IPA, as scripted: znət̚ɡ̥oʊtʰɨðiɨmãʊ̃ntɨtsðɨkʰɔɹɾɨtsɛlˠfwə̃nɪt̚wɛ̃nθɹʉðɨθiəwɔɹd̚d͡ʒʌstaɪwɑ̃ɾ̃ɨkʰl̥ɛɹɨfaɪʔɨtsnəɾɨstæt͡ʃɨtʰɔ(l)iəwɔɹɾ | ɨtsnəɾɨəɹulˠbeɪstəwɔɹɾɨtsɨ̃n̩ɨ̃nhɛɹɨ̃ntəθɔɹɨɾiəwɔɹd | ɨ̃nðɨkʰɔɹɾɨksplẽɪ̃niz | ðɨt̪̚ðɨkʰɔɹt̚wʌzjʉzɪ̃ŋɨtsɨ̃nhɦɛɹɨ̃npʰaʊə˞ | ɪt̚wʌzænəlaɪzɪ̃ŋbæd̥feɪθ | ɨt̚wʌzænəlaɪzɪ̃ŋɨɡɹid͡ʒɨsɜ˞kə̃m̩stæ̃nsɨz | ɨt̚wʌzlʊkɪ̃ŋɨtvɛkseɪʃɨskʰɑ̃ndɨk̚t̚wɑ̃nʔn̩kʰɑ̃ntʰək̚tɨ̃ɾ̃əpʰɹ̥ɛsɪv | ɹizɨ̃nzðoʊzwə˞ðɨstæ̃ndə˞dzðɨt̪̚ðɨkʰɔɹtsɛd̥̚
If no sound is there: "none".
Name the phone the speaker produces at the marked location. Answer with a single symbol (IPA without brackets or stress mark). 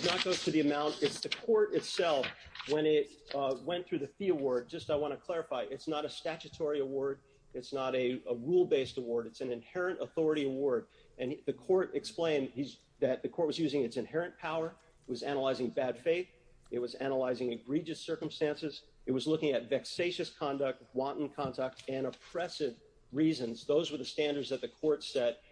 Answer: ɹ